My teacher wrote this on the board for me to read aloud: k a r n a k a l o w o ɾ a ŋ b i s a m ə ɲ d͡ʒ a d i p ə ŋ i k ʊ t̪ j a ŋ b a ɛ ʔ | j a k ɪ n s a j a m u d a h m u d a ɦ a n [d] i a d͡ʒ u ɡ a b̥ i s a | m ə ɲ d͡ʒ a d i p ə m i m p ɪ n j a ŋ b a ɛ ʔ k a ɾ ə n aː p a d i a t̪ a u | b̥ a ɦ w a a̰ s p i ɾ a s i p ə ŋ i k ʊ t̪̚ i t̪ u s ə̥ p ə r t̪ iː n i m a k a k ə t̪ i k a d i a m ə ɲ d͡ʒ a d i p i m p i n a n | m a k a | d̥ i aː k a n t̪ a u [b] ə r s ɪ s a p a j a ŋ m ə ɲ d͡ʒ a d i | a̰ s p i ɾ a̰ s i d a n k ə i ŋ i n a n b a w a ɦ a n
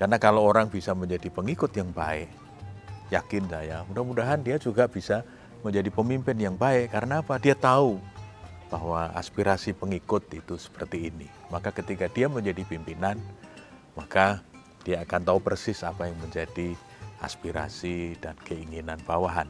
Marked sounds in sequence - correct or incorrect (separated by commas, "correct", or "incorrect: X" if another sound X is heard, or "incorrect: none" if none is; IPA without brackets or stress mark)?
correct, incorrect: p